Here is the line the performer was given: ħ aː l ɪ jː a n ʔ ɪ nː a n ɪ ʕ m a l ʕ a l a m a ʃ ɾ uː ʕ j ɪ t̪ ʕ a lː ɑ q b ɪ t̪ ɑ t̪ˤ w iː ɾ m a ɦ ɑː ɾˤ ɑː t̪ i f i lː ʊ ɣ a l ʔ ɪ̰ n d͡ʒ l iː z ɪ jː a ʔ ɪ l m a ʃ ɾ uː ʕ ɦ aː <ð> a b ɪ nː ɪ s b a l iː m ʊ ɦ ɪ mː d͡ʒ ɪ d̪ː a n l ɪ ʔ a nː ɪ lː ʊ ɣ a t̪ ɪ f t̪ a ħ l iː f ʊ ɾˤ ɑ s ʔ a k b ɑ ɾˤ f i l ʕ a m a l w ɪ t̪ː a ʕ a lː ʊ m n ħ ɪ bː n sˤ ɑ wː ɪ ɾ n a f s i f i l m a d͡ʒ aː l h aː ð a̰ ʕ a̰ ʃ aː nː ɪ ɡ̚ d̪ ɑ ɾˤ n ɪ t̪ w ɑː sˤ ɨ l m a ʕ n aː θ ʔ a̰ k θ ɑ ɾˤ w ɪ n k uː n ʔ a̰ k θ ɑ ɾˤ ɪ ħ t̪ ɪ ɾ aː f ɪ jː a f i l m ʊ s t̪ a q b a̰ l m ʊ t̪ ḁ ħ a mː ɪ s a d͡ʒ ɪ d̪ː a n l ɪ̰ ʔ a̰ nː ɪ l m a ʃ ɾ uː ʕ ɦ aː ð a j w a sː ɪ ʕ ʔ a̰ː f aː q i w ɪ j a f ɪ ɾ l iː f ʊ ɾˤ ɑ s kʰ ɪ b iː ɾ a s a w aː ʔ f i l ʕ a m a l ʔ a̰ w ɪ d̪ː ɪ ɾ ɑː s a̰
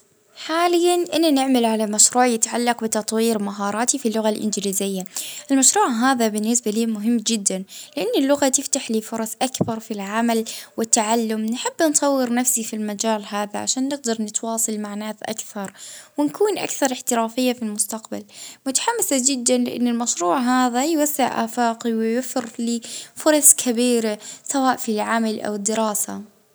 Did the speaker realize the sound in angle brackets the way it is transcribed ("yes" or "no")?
yes